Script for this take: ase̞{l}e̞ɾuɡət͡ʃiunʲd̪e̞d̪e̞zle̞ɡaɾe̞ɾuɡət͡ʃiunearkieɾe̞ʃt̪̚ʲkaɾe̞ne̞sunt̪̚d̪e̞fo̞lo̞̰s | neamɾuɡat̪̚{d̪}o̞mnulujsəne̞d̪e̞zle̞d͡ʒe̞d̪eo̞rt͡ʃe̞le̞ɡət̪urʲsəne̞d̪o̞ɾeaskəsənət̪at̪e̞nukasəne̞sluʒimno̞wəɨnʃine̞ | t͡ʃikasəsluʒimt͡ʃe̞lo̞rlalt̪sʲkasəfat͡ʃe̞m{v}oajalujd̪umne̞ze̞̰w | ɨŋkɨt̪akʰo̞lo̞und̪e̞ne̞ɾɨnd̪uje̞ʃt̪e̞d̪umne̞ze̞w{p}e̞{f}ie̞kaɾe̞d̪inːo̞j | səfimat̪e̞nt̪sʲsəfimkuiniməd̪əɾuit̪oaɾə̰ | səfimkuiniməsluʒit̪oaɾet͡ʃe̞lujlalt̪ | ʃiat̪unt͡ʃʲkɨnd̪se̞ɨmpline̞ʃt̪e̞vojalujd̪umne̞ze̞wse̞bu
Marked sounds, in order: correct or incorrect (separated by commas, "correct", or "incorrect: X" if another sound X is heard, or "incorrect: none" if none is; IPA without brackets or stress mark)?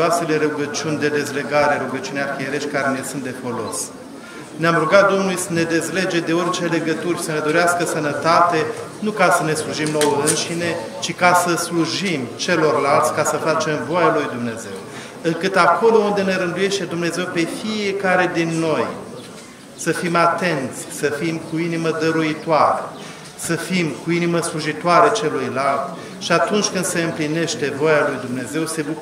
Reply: correct, correct, correct, correct, correct